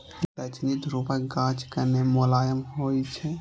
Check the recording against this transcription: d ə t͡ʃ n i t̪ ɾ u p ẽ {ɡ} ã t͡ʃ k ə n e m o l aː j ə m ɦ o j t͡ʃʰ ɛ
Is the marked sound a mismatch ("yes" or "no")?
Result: no